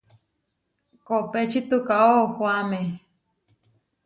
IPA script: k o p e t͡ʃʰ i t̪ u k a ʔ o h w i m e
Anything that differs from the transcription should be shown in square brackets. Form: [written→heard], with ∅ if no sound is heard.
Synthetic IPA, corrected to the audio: k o p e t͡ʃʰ i t̪ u k a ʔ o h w [i→a] m e